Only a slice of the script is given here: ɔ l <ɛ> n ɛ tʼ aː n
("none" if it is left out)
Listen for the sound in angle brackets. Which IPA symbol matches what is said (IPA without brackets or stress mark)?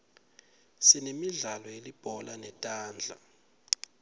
a